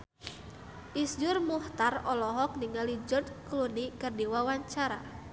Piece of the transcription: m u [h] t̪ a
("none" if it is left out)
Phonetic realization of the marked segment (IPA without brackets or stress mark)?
h